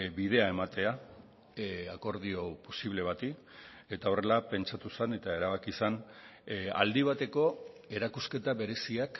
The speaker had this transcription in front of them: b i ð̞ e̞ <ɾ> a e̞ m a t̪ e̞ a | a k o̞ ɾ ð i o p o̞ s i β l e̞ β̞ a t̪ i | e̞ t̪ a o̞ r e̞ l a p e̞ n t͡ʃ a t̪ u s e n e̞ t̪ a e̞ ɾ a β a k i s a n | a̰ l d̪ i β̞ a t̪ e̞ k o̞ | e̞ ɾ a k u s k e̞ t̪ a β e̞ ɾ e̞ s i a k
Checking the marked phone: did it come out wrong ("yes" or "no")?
yes